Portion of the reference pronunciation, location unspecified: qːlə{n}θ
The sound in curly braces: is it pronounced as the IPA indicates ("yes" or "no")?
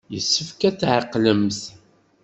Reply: no